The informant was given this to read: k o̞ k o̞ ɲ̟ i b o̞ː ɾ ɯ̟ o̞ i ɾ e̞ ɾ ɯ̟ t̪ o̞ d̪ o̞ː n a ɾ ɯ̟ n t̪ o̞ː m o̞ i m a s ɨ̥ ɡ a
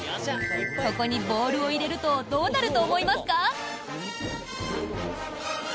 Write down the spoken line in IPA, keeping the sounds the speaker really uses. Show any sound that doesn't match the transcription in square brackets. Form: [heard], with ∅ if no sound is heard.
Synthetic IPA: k o̞ k o̞ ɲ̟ i b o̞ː ɾ ɯ̟ o̞ i ɾ e̞ ɾ ɯ̟ t̪ o̞ d̪ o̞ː n a ɾ ɯ̟ [∅] t̪ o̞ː m o̞ i m a s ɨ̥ [k] a